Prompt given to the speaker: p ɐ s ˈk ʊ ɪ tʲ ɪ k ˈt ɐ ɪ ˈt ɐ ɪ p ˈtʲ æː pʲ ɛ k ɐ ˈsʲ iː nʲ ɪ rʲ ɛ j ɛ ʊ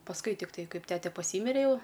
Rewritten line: p ɐ s ˈk ʊ ɪ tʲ ɪ k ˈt ɐ ɪ ˈk ɐ ɪ p ˈtʲ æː tʲ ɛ p ɐ ˈsʲ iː mʲ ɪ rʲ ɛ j ɛ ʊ